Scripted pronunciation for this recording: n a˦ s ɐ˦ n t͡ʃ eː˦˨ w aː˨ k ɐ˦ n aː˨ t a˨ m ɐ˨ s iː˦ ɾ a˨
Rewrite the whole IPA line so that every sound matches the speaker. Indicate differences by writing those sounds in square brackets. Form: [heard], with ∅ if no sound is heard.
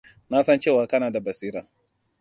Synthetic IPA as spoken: n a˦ s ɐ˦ n t͡ʃ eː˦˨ w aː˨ k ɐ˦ n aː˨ [d] a˨ [b] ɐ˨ s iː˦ ɾ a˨